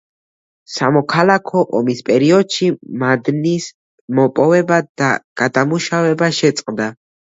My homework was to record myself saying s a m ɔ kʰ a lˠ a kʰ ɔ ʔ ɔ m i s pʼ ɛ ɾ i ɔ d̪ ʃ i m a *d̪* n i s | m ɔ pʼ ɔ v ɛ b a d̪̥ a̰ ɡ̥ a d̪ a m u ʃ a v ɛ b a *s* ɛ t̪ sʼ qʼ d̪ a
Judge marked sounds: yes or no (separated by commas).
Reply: yes, no